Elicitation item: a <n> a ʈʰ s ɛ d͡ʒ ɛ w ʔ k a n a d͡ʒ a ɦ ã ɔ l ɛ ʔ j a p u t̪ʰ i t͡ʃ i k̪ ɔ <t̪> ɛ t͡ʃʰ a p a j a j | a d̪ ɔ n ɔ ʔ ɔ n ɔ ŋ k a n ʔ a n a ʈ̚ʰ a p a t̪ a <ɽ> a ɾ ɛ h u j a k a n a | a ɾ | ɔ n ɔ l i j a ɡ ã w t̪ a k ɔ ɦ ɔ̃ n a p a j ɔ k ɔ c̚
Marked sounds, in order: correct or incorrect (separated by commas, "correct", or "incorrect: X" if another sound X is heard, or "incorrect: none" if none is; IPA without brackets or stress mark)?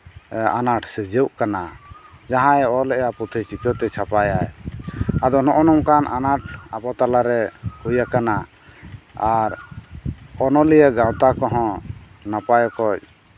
correct, correct, incorrect: l